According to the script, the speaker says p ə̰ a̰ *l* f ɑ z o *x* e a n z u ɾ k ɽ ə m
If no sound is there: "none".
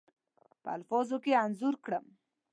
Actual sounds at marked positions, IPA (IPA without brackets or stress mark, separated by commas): l, k